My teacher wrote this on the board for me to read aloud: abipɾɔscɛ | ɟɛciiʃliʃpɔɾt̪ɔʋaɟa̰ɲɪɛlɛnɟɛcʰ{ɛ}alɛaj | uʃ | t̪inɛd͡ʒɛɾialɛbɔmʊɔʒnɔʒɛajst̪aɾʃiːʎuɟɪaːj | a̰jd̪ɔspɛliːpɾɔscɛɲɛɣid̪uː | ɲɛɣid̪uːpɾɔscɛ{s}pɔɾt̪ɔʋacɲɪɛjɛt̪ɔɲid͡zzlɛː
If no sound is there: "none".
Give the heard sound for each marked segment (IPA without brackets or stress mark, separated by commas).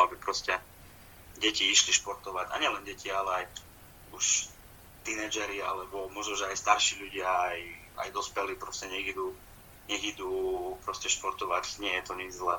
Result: i, ʃ